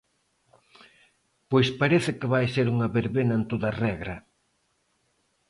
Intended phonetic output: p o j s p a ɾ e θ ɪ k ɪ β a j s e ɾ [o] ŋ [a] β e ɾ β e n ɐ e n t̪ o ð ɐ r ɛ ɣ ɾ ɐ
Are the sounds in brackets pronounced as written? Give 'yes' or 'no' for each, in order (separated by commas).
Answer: no, no